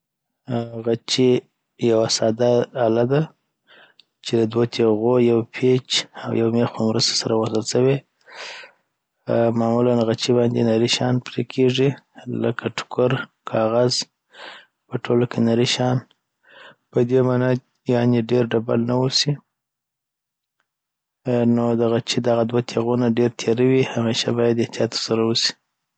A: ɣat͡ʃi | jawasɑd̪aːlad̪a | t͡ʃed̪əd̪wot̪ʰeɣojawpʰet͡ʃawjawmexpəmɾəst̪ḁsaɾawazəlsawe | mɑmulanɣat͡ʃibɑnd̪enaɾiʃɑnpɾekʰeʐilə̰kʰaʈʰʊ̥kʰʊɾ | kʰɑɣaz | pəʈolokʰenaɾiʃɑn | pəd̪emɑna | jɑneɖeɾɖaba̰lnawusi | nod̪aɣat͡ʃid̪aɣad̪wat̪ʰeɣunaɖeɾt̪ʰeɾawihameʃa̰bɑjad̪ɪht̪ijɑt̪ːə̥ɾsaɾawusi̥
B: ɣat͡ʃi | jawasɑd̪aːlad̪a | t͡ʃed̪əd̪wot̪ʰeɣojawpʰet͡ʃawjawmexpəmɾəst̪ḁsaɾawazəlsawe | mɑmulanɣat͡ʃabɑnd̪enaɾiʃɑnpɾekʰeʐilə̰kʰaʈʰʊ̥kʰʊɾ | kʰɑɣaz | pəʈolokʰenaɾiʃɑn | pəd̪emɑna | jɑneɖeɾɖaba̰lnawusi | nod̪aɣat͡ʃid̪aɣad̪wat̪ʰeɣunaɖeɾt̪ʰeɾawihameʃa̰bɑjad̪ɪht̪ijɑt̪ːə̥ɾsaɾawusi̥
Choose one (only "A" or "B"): A